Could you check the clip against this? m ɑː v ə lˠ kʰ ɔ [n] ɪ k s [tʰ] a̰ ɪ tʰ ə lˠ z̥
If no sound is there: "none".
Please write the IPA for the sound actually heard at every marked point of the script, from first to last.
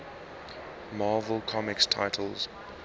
m, tʰ

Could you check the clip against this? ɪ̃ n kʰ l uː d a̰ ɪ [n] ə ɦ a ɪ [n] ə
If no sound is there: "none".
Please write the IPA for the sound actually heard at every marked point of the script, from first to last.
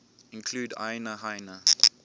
n, n

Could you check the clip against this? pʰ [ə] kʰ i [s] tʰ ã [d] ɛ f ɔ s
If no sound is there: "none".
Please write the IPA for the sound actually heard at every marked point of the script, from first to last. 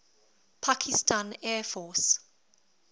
a, s, n

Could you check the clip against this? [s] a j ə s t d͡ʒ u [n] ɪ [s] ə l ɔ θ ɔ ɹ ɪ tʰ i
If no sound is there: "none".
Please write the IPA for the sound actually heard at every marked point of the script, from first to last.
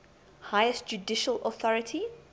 h, d, ʃ

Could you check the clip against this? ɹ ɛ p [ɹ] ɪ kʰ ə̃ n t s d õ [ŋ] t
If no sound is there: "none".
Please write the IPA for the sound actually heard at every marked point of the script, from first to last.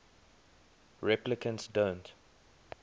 l, n

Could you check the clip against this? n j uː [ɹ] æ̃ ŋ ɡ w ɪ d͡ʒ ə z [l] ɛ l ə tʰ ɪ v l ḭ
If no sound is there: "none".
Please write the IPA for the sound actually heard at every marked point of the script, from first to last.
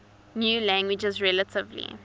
l, ɹ

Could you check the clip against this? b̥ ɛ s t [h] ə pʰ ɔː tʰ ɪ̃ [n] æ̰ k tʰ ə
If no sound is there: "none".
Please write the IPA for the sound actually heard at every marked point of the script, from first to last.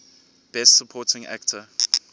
s, ŋ

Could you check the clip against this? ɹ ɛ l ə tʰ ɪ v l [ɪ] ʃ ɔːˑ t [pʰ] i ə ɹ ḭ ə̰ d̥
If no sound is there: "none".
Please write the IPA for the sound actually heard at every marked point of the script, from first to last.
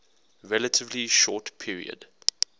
i, pʰ

